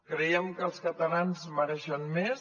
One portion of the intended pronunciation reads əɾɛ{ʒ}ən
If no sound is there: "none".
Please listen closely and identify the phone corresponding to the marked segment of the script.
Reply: ʃ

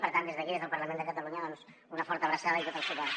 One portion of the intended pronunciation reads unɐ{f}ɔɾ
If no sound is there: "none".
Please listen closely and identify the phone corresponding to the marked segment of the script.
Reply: f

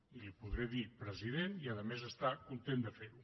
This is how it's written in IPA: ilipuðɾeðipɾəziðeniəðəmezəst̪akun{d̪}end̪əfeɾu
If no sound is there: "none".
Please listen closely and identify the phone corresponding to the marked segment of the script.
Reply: t̪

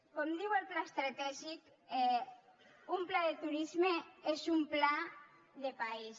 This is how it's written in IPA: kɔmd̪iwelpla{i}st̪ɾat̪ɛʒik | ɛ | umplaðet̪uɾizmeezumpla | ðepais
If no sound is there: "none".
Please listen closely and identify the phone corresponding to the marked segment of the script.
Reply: e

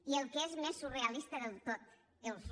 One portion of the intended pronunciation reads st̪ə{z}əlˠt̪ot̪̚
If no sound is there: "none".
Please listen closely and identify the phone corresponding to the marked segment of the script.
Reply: ð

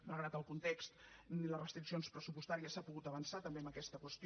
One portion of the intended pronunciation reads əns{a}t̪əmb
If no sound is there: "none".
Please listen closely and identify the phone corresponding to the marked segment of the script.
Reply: a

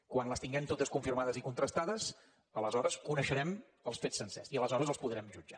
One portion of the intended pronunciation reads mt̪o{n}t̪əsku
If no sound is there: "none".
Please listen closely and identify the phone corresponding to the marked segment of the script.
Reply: none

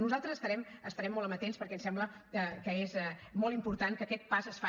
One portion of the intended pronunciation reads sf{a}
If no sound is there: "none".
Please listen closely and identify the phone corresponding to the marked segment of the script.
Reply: a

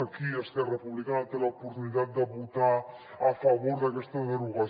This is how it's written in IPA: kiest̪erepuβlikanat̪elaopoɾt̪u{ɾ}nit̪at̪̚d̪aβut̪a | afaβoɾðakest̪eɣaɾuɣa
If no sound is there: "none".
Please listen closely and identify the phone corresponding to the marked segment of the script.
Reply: none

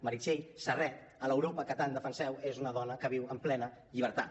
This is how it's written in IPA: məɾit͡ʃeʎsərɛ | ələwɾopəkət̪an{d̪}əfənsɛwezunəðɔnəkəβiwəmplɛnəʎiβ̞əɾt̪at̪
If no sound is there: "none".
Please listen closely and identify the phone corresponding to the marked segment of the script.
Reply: d̪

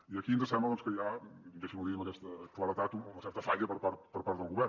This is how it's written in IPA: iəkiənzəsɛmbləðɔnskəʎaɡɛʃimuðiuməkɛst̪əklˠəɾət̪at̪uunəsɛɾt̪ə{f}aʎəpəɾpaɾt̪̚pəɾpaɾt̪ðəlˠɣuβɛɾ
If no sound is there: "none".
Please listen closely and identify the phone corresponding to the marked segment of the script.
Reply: f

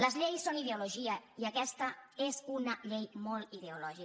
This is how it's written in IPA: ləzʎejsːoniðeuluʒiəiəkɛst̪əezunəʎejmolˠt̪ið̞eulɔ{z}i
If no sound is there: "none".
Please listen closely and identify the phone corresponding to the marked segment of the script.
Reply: ʒ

